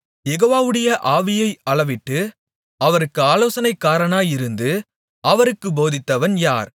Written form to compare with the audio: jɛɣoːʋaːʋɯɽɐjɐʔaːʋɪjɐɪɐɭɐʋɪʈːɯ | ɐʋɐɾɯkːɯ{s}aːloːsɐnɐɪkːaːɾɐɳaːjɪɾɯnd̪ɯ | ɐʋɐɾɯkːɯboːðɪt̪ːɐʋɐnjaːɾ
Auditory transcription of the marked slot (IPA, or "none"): none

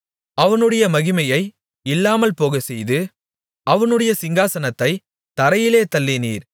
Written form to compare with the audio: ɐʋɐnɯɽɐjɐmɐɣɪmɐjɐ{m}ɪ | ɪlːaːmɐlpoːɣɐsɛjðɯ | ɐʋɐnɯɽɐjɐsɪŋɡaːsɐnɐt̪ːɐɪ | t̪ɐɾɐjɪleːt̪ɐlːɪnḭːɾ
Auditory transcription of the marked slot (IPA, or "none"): none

